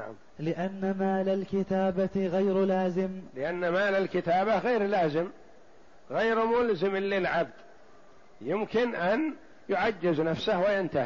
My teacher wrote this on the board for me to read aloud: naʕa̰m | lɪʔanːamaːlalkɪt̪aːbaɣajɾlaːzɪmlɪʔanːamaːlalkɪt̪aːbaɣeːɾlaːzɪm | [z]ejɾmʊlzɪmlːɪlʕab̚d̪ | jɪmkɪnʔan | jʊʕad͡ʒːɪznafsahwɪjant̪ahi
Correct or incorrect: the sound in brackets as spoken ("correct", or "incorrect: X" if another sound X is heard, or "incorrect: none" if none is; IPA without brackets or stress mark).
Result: incorrect: ɣ